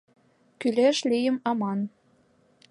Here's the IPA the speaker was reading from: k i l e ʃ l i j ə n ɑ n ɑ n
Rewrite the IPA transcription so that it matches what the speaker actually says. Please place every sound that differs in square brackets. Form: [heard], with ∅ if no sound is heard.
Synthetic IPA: k [y] l e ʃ l i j ə [m] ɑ [m] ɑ n